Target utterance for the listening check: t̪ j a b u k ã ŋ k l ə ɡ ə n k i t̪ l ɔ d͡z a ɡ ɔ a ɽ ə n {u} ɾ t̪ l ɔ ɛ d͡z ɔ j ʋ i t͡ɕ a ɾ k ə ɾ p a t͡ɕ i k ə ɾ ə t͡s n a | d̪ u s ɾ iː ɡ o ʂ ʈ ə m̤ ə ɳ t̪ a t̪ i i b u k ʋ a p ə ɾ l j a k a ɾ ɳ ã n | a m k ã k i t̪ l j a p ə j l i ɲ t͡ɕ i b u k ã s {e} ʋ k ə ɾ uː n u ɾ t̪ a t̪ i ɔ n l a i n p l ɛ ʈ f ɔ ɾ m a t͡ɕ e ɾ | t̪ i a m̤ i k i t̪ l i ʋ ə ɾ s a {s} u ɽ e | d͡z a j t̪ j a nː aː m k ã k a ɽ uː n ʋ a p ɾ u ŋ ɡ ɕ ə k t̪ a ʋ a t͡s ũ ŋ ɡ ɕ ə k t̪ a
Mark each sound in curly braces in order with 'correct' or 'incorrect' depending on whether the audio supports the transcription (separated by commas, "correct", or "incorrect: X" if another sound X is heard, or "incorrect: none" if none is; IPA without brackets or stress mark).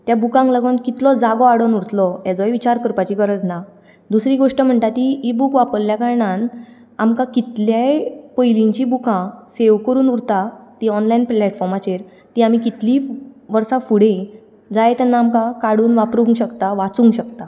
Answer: correct, correct, incorrect: f